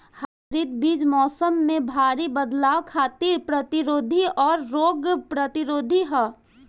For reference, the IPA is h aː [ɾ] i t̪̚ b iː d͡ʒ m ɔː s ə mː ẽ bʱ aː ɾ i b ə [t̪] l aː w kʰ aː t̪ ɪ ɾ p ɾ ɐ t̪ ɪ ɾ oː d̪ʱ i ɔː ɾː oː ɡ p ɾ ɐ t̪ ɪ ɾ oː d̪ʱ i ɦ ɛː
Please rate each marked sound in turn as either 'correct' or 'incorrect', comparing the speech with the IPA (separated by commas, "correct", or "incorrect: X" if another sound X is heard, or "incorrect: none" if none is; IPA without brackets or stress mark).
correct, incorrect: d̪